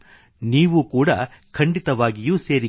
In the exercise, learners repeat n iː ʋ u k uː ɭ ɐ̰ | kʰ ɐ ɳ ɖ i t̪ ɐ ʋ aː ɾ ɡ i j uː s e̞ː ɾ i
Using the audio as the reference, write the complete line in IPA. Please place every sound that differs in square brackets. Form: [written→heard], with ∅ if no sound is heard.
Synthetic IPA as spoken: n iː ʋ u k uː [ɭ→ɽ] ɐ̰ | kʰ ɐ ɳ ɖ i t̪ ɐ ʋ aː [ɾ→∅] ɡ i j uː s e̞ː ɾ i